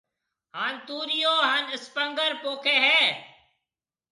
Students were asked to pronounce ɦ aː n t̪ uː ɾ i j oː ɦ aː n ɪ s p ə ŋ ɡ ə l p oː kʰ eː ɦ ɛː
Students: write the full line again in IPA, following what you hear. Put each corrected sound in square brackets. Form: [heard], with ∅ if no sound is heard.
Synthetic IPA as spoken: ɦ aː n t̪ uː ɾ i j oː ɦ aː n ɪ s p ə ŋ ɡ ə [ɾ] p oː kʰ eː ɦ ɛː